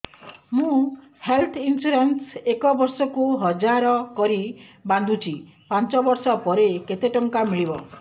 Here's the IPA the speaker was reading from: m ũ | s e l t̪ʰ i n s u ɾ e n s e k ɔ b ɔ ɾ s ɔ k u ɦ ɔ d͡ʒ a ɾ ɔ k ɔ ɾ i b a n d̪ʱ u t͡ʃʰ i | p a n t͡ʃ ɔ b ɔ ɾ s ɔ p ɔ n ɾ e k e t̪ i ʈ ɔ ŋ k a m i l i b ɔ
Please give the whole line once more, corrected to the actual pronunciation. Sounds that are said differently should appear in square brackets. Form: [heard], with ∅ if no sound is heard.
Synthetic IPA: m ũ | [h] e l t̪ʰ i n s u ɾ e n s e k ɔ b ɔ ɾ s ɔ k u ɦ ɔ d͡ʒ a ɾ ɔ k ɔ ɾ i b a n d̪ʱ u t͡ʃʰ i | p a n t͡ʃ ɔ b ɔ ɾ s ɔ p ɔ [∅] ɾ e k e t̪ [e] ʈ ɔ ŋ k a m i [ɭ] i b ɔ